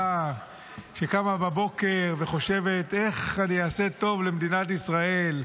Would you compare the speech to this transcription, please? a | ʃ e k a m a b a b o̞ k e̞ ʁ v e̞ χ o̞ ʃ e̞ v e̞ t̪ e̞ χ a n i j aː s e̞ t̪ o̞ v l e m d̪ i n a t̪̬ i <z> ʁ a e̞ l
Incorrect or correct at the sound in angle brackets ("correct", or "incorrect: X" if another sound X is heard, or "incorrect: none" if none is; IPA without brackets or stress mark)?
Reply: incorrect: s